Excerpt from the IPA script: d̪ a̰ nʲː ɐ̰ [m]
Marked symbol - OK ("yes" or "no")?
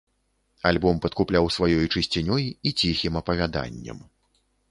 yes